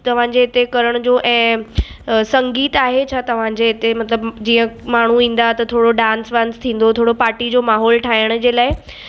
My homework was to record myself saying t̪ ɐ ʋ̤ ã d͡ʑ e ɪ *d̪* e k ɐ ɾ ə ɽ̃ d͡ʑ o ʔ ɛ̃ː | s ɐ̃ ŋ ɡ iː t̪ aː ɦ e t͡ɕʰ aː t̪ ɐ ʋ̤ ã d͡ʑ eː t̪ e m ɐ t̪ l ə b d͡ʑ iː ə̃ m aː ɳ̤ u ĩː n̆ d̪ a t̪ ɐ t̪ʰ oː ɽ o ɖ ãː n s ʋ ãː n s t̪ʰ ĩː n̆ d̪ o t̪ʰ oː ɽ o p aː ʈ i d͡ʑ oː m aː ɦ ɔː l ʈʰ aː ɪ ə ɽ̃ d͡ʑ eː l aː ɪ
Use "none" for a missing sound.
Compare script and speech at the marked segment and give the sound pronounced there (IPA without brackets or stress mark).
t̪